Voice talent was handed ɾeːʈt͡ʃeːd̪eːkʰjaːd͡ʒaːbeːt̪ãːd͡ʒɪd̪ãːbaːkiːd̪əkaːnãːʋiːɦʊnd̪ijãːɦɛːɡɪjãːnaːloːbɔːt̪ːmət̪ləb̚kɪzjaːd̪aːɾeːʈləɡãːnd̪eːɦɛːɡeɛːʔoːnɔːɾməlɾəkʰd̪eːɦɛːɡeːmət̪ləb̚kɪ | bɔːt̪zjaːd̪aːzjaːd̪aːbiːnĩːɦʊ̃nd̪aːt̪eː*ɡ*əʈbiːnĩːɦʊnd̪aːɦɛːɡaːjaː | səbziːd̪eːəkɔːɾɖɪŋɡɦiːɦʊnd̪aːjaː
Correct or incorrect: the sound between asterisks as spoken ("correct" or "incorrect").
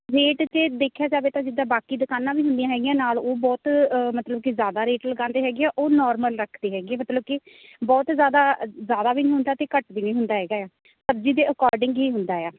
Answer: incorrect